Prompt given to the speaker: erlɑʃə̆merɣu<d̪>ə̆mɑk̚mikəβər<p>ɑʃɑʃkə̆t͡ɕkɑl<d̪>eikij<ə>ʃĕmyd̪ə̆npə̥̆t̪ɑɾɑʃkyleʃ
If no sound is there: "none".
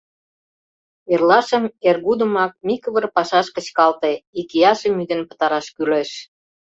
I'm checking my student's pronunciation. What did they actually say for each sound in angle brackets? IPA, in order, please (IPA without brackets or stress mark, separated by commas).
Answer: d̪, p, t̪, ɑ